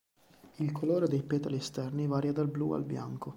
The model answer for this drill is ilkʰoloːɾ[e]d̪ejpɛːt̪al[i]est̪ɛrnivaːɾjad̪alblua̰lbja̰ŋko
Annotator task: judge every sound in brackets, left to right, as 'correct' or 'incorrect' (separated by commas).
correct, correct